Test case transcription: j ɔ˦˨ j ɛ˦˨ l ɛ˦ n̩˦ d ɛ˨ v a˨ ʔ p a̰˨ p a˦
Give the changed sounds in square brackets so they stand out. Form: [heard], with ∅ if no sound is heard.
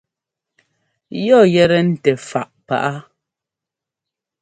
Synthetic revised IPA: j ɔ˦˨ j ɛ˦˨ [ɾ] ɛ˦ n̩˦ [t] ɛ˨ [f] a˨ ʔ p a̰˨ [ʔ] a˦